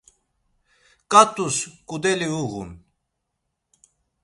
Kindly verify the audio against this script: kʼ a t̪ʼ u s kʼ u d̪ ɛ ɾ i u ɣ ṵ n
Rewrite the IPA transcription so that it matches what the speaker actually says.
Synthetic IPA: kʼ a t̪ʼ u s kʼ u d̪ ɛ l i u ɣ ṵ n

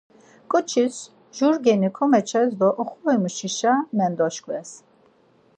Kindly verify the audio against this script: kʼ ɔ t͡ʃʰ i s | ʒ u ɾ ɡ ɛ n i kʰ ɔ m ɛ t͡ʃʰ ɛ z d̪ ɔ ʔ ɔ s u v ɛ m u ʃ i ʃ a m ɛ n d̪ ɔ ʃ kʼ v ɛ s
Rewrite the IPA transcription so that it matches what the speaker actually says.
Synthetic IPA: kʼ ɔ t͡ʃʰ i s | ʒ u ɾ ɡ ɛ n i kʰ ɔ m ɛ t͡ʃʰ ɛ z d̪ ɔ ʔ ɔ χ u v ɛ m u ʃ i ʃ a m ɛ n d̪ ɔ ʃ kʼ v ɛ s

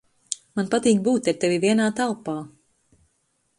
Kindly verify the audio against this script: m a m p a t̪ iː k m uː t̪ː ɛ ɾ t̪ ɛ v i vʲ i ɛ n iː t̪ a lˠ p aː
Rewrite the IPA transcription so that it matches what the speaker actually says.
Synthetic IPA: m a n p a t̪ iː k b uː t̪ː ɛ ɾ t̪ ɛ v i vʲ i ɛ n aː t̪ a lˠ p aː

